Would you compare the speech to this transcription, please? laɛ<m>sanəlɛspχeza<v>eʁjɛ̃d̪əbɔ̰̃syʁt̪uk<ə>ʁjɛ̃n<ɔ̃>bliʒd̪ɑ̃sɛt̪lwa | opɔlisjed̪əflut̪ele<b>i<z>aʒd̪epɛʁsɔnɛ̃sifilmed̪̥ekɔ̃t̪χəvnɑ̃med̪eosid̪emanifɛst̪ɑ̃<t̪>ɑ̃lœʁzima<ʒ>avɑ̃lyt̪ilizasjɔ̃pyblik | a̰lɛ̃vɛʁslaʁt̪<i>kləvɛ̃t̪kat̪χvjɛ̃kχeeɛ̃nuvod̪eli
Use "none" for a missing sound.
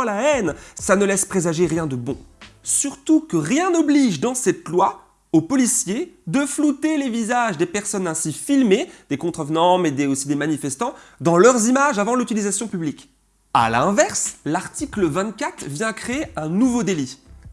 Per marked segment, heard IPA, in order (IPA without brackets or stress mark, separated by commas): n, ʒ, ə, ɔ, v, z, d̪, ʒ, i